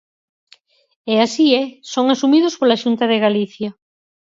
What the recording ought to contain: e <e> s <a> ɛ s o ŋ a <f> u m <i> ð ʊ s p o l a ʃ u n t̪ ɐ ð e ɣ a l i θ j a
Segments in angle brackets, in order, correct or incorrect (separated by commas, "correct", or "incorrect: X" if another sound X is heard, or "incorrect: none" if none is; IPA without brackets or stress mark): incorrect: a, incorrect: i, incorrect: s, correct